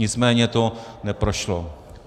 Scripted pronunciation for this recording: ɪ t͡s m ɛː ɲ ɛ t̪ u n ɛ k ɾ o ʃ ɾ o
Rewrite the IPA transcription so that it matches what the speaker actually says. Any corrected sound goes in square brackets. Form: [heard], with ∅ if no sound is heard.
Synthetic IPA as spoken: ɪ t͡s m ɛː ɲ ɛ t̪ [o] n ɛ [p] ɾ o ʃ [l] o